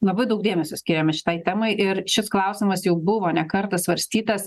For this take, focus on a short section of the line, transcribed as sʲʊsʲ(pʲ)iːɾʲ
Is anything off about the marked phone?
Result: yes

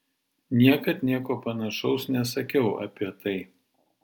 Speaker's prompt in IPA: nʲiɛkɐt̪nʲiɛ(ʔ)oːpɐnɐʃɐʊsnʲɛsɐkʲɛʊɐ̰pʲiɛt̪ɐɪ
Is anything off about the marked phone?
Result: yes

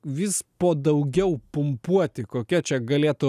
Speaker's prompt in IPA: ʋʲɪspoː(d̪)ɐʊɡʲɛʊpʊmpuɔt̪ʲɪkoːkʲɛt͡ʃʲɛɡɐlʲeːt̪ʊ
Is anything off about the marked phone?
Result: no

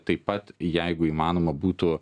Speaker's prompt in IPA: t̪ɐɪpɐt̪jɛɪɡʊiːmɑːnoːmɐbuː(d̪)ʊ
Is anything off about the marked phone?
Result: yes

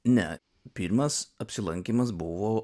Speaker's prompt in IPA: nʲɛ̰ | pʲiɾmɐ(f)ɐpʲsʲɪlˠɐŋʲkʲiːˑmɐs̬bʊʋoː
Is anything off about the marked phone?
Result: yes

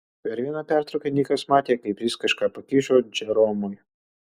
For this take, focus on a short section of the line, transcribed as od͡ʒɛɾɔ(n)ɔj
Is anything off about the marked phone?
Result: yes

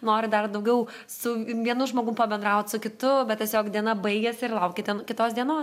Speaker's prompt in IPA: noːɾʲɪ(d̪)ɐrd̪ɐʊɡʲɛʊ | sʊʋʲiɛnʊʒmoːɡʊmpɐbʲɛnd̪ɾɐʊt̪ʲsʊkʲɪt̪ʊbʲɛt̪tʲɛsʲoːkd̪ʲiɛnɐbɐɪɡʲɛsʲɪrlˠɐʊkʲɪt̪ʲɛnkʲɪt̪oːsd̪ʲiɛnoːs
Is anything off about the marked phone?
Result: no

